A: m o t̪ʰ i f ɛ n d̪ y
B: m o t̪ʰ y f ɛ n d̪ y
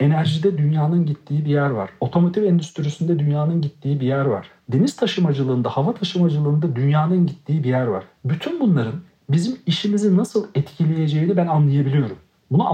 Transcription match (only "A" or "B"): A